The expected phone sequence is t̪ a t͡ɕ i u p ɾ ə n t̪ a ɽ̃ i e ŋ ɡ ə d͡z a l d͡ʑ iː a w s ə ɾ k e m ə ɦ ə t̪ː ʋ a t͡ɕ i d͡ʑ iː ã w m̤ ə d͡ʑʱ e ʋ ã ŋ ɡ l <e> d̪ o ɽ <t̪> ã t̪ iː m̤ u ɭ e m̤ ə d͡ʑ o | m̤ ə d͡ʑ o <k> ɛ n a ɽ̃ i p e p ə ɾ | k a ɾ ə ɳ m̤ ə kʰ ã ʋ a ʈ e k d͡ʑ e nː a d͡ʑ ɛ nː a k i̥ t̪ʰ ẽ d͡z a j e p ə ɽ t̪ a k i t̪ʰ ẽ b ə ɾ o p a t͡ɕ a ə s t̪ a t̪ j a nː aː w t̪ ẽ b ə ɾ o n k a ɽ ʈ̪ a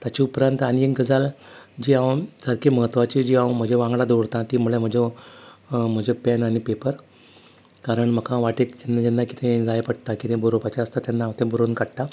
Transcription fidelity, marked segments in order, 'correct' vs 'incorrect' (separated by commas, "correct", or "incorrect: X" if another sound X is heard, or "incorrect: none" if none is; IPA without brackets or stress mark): incorrect: a, correct, incorrect: p